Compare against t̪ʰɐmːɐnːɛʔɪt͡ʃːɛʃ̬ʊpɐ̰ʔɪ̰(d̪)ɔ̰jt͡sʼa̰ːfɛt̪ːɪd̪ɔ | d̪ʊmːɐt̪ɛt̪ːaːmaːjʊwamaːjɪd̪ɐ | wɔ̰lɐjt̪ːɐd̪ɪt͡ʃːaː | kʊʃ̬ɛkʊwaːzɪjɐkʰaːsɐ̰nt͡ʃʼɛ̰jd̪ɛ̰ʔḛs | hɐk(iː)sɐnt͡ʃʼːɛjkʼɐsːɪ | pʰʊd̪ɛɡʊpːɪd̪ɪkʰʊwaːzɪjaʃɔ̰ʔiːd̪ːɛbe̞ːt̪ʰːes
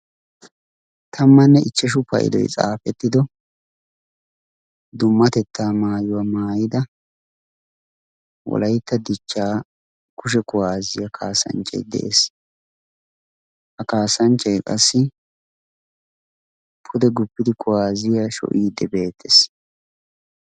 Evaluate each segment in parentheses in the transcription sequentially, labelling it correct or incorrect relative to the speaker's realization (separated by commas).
correct, incorrect